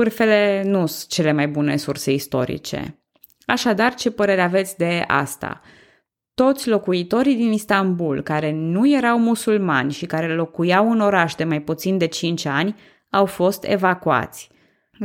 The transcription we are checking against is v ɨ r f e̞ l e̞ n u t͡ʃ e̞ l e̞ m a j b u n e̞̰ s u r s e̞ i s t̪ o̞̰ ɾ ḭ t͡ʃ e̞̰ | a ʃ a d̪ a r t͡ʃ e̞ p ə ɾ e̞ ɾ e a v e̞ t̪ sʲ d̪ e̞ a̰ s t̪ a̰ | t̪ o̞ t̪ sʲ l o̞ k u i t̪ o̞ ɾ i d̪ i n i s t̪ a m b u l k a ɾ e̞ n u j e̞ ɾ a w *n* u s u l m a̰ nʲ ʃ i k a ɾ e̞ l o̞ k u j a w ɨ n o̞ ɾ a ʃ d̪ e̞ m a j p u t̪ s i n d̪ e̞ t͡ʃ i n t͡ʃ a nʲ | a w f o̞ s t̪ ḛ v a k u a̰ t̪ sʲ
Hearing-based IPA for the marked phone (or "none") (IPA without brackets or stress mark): m